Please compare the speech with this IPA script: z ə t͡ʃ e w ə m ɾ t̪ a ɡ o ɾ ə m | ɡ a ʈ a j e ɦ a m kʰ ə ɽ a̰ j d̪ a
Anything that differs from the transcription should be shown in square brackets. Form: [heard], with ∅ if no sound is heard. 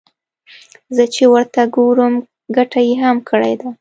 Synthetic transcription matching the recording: z ə t͡ʃ e w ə [∅] ɾ t̪ a ɡ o ɾ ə m | ɡ a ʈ a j e ɦ a m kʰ ə ɽ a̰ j d̪ a

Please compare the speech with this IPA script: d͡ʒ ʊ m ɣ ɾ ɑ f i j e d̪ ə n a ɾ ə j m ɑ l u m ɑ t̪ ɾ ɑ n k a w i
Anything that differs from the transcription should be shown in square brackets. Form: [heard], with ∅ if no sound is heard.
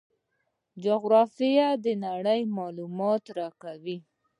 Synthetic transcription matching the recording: d͡ʒ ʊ [∅] ɣ ɾ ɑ f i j [a] d̪ ə n a [ɽ] ə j m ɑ l u m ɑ t̪ ɾ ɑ [∅] k a w i

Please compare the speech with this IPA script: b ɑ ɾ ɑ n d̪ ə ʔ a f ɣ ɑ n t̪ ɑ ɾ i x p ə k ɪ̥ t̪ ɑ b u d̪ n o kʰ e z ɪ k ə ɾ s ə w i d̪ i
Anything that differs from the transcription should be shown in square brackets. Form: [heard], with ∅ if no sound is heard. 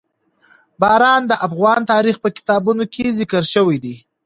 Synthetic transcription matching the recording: b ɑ ɾ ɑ n d̪ ə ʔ a f ɣ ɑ n t̪ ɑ ɾ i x p ə k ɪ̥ t̪ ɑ b u [∅] n o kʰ e z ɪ k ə ɾ [ʃ] ə w i d̪ i

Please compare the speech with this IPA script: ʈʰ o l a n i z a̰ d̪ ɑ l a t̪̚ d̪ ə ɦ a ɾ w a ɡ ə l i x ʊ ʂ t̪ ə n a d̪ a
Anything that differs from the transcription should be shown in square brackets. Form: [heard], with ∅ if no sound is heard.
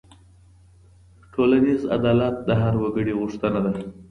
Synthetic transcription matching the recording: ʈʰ o l a n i z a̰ d̪ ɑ l a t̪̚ d̪ ə ɦ a ɾ w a ɡ ə [ɽ] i [ɣ] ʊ ʂ t̪ ə n a d̪ a

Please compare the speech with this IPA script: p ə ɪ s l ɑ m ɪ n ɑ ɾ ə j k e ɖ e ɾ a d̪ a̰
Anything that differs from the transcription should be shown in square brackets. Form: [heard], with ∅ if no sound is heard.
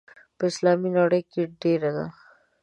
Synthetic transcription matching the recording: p ə ɪ s l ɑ m [i] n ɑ [ɽ] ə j k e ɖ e ɾ a d̪ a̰

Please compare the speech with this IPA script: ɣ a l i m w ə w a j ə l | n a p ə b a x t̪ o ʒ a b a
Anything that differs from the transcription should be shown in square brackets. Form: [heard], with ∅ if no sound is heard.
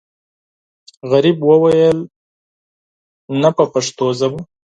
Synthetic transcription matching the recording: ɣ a [ɾ] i [b] w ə w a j ə l | n a p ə [p] a [ʂ] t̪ o [z] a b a

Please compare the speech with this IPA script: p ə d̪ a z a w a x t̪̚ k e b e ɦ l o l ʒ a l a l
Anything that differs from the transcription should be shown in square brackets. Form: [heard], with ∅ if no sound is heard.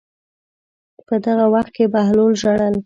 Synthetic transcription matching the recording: p ə d̪ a [ɣ] a w a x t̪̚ k e b [a] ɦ l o l ʒ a [ɽ] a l

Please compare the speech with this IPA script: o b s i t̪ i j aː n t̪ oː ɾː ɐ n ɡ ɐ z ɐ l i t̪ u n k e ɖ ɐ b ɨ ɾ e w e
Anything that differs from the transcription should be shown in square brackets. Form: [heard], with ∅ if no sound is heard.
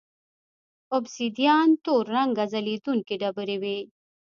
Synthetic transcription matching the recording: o b s i [d̪] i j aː n t̪ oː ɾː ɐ [ŋ] ɡ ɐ z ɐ l i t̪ u n k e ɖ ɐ b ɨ ɾ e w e

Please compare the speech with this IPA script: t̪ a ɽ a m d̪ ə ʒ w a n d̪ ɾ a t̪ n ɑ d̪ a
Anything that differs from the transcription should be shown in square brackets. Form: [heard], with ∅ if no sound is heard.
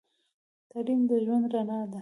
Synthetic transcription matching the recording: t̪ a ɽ [i] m d̪ ə ʒ w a n d̪ ɾ a [∅] n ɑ d̪ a

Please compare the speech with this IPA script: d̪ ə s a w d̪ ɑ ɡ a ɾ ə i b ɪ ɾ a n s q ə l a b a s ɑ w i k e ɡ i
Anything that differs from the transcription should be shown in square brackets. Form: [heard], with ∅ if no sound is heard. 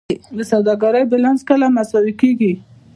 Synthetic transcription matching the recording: d̪ ə s a w d̪ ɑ ɡ a ɾ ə [j] b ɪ [l] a n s [k] ə l a [m] a s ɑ w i k e ɡ i

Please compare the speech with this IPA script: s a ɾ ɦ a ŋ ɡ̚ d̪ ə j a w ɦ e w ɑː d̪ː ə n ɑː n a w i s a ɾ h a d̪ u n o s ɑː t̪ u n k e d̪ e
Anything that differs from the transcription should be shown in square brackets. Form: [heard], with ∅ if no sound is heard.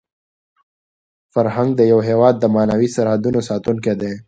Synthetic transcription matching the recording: [f] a ɾ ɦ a ŋ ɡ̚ d̪ ə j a w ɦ e w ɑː d̪ː ə [m] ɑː n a w i s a ɾ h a d̪ u n o s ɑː t̪ u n k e d̪ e

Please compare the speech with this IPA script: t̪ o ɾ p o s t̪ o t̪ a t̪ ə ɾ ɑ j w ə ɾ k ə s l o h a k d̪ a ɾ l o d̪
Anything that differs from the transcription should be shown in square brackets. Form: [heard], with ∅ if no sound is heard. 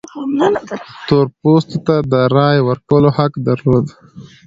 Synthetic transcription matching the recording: t̪ o ɾ p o s t̪ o t̪ a [d̪] ə ɾ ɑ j w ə ɾ k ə [∅] l o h a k d̪ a ɾ l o d̪

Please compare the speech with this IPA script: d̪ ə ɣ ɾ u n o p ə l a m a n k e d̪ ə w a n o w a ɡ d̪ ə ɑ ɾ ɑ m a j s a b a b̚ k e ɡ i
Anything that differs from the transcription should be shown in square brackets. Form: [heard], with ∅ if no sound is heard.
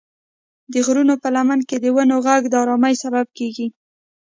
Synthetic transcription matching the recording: d̪ ə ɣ ɾ u n o p ə l a m a n k e d̪ ə w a n o [ɣ] a ɡ d̪ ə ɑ ɾ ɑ m a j s a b a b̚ k e ɡ i

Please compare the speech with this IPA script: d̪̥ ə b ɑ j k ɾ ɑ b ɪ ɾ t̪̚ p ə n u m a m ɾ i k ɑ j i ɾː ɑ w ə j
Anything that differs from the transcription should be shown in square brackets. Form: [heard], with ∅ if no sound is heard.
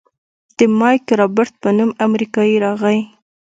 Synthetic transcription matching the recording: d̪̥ ə [m] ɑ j k ɾ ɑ b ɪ ɾ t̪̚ p ə n u m a m ɾ i k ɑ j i [ɾ] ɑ [ɣ] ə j

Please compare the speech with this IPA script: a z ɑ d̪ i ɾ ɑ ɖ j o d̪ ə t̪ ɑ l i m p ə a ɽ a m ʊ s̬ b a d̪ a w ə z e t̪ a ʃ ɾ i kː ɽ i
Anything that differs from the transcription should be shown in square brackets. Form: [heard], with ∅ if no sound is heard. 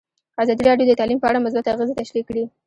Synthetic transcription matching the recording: a z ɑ d̪ i ɾ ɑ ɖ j o d̪ ə t̪ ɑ l i m p ə a ɽ a m ʊ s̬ b a [t̪] a [ɣ] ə z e t̪ a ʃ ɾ i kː ɽ i

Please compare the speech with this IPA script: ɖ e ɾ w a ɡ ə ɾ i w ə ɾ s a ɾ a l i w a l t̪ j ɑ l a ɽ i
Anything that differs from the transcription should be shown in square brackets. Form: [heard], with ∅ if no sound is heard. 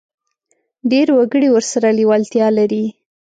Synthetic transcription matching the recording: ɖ e ɾ w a ɡ ə [ɽ] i w ə ɾ s a ɾ a l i w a l t̪ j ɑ l a [ɾ] i

